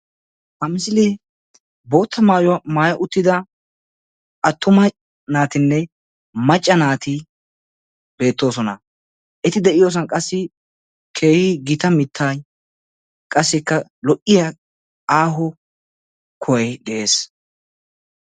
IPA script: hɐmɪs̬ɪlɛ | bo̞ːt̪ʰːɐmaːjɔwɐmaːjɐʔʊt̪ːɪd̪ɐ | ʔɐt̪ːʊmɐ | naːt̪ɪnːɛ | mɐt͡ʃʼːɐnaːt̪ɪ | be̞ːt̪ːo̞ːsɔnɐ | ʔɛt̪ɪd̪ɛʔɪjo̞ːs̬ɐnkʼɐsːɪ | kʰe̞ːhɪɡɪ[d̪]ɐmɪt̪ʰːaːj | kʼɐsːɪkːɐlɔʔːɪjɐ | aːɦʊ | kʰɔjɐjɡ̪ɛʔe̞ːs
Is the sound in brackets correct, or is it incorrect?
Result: incorrect